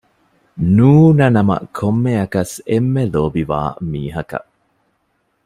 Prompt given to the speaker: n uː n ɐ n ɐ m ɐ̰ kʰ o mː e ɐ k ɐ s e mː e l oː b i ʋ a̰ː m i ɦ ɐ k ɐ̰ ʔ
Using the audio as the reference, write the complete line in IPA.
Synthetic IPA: n uː n ɐ n ɐ m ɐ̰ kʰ o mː e ɐ k ɐ s e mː e l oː b i ʋ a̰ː m iː ɦ ɐ k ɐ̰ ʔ